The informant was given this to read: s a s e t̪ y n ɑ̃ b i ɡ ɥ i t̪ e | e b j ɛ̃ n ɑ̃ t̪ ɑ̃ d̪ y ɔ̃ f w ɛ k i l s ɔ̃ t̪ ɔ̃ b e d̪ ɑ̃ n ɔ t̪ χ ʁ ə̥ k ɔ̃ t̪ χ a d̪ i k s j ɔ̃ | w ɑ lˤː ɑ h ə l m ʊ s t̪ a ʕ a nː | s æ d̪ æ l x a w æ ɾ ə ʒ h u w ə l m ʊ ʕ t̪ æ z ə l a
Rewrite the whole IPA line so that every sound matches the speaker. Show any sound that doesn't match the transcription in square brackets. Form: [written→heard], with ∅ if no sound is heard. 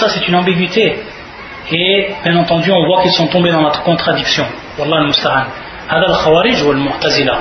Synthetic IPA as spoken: s a s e t̪ y n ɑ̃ b i ɡ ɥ i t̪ e | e b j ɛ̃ n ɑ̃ t̪ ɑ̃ d̪ y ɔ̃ [f→v] w [ɛ→a] k i l s ɔ̃ t̪ ɔ̃ b e d̪ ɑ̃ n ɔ t̪ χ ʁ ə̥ k ɔ̃ t̪ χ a d̪ i k s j ɔ̃ | w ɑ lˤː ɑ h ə l m ʊ s t̪ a ʕ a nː | [s→h] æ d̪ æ l x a w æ ɾ ə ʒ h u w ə l m ʊ ʕ t̪ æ z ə l a